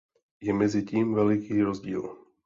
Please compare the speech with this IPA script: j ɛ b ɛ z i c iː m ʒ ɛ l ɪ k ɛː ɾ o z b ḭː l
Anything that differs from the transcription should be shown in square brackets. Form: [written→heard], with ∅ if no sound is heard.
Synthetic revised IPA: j ɛ [b→m] ɛ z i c iː m [ʒ→v] ɛ l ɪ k [ɛː→iː] ɾ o z [b→ɟ] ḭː l